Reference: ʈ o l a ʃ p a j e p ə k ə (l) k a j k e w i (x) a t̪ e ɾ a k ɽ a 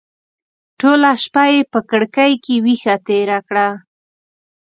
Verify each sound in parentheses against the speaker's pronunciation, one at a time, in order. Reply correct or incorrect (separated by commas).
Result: incorrect, correct